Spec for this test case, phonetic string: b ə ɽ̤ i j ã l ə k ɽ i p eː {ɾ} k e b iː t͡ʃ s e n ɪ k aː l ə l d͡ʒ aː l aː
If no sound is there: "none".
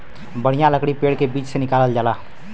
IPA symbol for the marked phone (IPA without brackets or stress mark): ɽ